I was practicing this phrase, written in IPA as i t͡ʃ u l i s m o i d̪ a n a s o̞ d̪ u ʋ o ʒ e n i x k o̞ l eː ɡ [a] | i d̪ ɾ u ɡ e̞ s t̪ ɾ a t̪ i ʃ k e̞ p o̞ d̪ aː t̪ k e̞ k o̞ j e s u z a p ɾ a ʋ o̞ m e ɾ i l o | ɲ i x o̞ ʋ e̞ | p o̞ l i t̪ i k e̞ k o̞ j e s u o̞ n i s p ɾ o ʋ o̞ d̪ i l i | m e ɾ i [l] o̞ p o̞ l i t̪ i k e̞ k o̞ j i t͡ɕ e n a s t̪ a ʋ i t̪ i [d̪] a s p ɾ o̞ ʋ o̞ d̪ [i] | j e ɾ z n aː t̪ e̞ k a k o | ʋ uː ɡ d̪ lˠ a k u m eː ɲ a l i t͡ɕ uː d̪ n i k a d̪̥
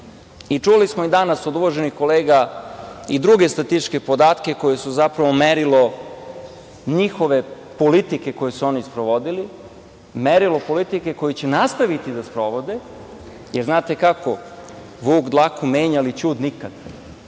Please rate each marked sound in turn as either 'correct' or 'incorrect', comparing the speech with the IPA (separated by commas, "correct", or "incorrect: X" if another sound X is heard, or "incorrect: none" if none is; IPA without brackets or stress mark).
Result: correct, correct, correct, incorrect: e